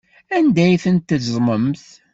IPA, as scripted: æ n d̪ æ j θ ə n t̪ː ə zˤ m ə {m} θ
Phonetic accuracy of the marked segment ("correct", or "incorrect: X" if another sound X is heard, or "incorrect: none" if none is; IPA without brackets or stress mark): correct